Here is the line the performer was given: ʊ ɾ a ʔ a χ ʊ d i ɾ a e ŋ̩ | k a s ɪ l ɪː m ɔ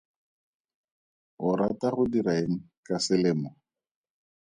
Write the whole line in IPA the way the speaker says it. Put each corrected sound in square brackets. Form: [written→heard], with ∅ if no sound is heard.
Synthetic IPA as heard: ʊ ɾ a [ʔ→t] a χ ʊ d i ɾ a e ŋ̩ | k a s ɪ l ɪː m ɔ